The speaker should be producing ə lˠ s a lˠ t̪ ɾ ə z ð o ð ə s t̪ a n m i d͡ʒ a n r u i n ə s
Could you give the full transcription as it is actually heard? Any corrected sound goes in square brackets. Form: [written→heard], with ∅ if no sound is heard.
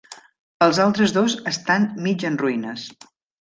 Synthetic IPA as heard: ə lˠ [s→z] a lˠ t̪ ɾ ə z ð o [ð→z] ə s t̪ a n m i d͡ʒ [a→ə] n r u i n ə s